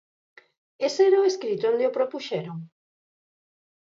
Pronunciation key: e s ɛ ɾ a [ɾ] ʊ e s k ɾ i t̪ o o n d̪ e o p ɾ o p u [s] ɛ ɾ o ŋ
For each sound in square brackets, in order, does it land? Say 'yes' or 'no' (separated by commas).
no, no